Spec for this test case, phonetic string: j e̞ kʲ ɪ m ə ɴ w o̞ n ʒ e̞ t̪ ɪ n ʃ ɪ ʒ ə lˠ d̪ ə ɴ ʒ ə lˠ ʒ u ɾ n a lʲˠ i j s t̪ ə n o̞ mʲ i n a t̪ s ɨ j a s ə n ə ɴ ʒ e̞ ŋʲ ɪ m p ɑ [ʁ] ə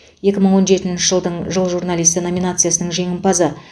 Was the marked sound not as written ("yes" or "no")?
yes